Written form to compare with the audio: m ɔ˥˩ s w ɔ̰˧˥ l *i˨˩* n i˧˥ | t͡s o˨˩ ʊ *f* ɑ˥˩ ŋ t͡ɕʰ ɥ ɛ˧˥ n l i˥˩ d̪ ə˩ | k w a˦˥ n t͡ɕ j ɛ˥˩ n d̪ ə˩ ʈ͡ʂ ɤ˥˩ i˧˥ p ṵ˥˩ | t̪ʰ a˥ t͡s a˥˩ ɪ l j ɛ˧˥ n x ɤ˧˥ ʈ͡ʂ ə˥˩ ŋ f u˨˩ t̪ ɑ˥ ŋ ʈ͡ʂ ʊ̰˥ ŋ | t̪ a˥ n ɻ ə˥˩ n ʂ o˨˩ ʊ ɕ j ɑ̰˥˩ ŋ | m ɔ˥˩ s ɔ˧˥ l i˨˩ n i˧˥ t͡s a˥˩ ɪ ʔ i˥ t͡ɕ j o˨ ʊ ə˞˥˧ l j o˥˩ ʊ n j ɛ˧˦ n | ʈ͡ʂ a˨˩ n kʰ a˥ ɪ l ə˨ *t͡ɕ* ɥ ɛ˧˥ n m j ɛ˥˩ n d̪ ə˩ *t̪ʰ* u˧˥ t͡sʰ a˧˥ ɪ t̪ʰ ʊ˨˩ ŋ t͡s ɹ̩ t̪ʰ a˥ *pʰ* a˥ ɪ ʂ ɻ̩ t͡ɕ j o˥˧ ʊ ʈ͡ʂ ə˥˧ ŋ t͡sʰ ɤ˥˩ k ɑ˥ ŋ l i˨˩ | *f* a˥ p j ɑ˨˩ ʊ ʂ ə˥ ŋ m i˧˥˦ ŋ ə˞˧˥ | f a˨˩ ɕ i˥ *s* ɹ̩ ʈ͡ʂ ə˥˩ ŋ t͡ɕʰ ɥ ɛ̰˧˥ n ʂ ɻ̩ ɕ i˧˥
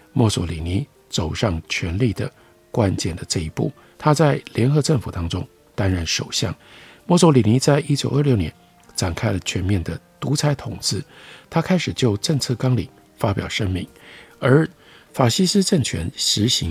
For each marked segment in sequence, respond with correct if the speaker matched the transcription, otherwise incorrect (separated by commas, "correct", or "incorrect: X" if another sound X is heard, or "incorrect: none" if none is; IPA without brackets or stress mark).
correct, incorrect: ʂ, incorrect: t͡ɕʰ, incorrect: t̪, incorrect: kʰ, correct, correct